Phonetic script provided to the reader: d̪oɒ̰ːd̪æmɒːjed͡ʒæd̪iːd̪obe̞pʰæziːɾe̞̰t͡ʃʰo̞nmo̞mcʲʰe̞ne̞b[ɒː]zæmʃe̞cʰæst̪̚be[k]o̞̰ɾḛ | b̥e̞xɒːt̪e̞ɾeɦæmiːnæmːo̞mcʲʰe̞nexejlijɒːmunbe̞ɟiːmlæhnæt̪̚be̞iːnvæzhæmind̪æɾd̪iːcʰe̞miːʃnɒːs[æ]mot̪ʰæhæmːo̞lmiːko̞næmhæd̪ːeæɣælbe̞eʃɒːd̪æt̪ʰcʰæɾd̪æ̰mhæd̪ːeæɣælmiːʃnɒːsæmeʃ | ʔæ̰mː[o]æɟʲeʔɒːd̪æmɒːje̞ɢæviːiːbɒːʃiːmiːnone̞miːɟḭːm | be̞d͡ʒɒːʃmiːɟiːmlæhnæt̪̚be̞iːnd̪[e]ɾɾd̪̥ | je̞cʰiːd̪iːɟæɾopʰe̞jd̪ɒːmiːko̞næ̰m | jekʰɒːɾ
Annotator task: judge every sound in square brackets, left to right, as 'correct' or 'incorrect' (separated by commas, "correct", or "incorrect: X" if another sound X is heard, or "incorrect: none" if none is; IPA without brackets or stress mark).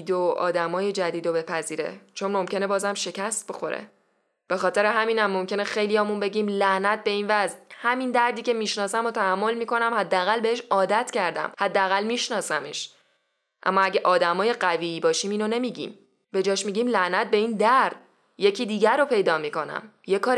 correct, incorrect: x, correct, incorrect: ɒ, incorrect: æ